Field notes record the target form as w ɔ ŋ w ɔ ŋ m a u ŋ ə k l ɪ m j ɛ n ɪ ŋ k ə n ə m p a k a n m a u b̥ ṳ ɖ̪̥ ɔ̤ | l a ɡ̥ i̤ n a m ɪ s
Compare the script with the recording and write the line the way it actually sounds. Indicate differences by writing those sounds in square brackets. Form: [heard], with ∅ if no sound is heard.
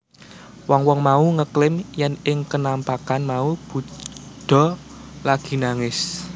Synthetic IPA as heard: w ɔ ŋ w ɔ ŋ m a u ŋ ə k l ɪ m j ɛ n ɪ ŋ k ə n [a] m p a k a n m a u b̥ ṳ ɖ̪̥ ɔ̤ | l a ɡ̥ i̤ n a [ŋ] ɪ s